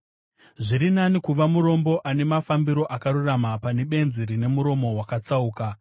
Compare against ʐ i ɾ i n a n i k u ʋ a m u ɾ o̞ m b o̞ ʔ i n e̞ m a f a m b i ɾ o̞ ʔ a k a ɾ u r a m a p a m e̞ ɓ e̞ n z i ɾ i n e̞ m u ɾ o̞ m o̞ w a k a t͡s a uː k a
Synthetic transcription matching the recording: ʐ i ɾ i n a n i k u ʋ a m u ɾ o̞ m b o̞ ʔ a n e̞ m a f a m b i ɾ o̞ ʔ a k a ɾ u r a m a p a n e̞ ɓ e̞ n z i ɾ i n e̞ m u ɾ o̞ m o̞ w a k a t͡s a uː k a